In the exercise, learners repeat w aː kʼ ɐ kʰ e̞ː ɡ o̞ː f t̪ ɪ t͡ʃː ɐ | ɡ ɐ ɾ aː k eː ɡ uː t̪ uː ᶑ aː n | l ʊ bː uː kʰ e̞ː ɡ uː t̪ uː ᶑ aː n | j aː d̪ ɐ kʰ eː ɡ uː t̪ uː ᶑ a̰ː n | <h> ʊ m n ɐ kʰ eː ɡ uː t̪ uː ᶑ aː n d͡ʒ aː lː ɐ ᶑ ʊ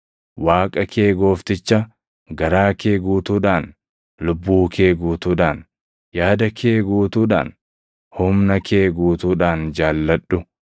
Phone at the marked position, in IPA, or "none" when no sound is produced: h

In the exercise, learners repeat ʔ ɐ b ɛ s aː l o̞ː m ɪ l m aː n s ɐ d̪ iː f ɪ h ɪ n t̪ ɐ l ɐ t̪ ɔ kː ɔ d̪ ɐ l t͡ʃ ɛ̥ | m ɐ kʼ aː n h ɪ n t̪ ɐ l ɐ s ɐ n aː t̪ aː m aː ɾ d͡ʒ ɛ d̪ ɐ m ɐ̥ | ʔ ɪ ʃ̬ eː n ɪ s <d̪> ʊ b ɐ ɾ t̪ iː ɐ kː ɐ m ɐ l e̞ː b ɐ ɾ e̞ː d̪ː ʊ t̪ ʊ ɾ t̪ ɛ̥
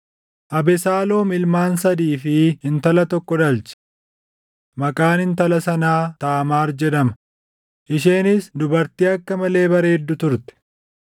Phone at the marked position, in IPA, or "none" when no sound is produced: d̪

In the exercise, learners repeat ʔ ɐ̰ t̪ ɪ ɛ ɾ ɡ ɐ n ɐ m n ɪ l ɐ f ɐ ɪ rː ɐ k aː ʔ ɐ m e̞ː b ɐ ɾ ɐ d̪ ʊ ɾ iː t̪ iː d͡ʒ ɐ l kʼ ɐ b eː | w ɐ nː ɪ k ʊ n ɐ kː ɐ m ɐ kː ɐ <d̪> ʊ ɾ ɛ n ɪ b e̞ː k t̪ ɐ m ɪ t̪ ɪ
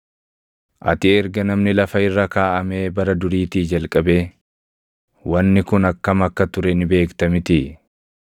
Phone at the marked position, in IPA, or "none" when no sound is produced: t̪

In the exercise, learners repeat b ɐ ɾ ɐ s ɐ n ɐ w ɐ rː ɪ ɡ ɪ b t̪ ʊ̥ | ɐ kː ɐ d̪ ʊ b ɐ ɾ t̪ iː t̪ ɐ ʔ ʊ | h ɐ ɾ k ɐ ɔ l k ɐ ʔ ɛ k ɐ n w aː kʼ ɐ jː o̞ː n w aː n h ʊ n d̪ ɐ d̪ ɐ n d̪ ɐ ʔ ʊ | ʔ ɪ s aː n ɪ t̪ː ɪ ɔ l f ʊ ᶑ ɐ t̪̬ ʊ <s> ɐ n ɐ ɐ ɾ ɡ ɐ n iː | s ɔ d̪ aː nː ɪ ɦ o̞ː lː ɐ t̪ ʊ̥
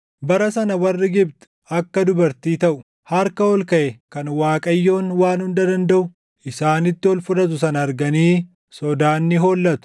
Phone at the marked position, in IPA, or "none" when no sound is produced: s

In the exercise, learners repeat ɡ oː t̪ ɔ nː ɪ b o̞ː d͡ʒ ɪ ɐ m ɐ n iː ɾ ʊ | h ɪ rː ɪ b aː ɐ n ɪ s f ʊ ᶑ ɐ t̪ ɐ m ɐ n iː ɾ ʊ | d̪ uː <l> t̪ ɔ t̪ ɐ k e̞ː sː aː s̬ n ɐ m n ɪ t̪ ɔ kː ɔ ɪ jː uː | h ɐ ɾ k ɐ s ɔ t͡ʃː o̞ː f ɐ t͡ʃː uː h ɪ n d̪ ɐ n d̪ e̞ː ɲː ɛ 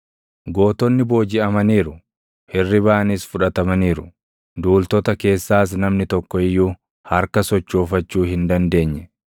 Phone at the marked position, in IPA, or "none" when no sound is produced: l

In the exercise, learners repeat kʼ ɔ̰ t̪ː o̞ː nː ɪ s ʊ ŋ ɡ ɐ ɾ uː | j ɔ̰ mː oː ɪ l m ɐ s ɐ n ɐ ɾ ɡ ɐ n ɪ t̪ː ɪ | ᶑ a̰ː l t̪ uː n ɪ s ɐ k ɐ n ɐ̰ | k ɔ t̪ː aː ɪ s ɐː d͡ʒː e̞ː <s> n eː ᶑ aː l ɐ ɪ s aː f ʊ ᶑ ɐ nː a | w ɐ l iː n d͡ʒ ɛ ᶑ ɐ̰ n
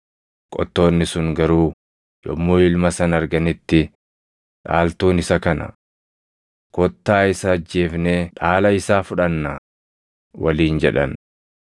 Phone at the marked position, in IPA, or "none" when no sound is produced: f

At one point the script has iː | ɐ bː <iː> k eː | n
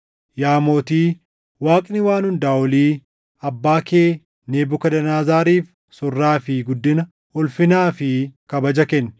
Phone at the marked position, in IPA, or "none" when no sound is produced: aː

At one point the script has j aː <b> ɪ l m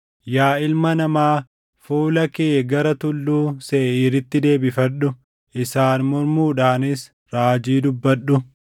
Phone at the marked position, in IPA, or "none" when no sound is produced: none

